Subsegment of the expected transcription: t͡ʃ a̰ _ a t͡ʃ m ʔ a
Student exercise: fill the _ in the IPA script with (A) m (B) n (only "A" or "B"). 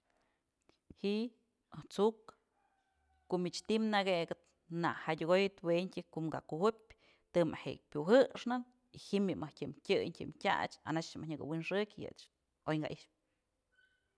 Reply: B